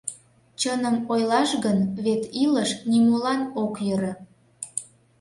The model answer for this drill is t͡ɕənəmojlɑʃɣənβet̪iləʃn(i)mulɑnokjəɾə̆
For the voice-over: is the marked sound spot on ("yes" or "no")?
yes